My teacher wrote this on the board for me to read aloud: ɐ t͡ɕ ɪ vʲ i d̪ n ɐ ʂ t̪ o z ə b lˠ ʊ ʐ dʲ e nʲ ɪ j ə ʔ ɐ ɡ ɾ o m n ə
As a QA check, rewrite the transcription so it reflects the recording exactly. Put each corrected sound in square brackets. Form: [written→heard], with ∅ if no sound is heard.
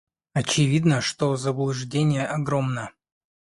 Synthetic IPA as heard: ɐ t͡ɕ ɪ vʲ i d̪ n [ɐ→ə] ʂ t̪ o z ə b lˠ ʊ ʐ dʲ e nʲ ɪ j ə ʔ ɐ ɡ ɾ o m n ə